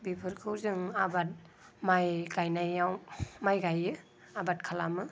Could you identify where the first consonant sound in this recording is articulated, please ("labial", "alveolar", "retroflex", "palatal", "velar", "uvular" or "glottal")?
labial